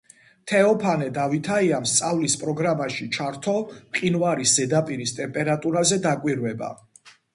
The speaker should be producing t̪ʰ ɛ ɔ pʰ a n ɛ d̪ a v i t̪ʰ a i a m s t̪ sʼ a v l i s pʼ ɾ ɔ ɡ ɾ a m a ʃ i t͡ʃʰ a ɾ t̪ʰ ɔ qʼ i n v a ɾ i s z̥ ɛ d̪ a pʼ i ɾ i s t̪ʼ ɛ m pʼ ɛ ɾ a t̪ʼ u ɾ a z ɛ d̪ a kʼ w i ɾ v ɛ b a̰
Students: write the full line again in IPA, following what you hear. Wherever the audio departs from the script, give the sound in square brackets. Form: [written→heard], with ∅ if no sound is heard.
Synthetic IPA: t̪ʰ ɛ ɔ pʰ a n ɛ d̪ a v i t̪ʰ a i a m s t̪ sʼ a v l i s pʼ ɾ ɔ ɡ ɾ a m a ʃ i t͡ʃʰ a ɾ t̪ʰ ɔ qʼ i n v a ɾ i s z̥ ɛ d̪ a pʼ i ɾ i s t̪ʼ ɛ m pʼ ɛ ɾ a t̪ʼ u ɾ a z ɛ d̪ a kʼ w i ɾ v ɛ b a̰